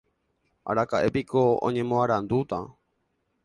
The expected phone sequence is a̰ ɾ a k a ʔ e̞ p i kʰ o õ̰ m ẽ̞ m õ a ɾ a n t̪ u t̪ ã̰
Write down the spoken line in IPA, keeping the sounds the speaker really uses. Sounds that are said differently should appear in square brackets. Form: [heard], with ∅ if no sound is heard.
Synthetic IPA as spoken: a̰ ɾ a k a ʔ e̞ p i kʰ o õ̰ [ɲ] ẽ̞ m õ a ɾ a n [d̪] u t̪ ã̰